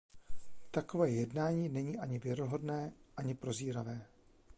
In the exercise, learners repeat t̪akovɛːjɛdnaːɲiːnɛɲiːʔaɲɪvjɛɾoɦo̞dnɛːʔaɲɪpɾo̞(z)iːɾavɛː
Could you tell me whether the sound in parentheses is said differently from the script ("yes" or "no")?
no